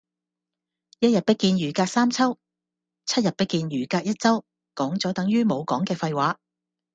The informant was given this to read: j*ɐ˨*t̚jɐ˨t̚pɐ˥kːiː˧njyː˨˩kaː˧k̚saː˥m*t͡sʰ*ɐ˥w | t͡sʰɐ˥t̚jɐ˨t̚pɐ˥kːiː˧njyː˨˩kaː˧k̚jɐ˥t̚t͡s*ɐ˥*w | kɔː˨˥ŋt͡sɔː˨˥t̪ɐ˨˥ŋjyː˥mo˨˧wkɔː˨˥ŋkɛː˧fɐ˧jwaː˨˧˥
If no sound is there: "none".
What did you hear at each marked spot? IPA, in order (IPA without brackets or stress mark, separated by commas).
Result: ɐ˥, t͡sʰ, ɐ˥